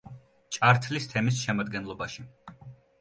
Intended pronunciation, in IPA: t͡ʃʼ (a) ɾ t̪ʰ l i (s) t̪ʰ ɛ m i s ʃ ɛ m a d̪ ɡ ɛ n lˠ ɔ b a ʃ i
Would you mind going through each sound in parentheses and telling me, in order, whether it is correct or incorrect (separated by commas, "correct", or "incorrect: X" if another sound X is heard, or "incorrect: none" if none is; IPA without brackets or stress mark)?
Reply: correct, correct